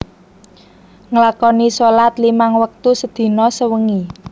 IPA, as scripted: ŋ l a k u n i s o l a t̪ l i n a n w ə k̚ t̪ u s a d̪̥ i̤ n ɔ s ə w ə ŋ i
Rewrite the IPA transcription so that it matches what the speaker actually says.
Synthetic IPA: ŋ l a k ɔ n i s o l a t̪ l i m a ŋ w ə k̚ t̪ u s ə d̪̥ i̤ n ɔ s ə w ə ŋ i